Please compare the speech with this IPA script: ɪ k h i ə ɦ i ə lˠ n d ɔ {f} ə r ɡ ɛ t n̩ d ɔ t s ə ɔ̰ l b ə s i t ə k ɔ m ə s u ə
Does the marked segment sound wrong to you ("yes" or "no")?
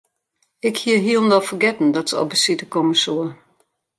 no